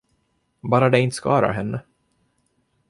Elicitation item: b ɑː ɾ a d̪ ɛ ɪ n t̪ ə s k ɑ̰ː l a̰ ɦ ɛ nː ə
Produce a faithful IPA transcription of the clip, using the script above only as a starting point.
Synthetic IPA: b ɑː ɾ a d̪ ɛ ɪ n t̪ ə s k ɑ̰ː ɾ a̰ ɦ ɛ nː ə